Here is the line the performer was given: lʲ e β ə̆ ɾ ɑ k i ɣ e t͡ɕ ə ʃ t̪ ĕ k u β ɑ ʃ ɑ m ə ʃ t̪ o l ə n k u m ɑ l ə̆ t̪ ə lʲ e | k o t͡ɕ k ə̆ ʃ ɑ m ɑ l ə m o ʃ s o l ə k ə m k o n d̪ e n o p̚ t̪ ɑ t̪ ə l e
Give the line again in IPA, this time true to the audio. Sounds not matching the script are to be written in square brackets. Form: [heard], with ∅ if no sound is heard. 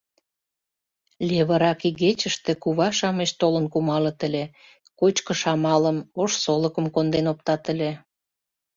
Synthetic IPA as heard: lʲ e β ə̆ ɾ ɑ k i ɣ e t͡ɕ ə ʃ t̪ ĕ k u β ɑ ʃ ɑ m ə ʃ t̪ o l ə n k u m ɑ l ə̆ t̪ ə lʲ e | k o t͡ɕ k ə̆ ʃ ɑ m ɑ l ə m o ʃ s o l ə k ə m k o n d̪ e n o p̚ t̪ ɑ t̪ ə l e